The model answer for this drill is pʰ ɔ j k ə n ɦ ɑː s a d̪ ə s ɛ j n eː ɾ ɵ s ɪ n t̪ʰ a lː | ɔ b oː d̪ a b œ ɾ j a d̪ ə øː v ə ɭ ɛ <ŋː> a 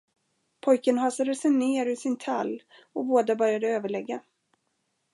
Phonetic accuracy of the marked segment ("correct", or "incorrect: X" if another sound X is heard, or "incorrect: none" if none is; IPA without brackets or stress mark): incorrect: ɡː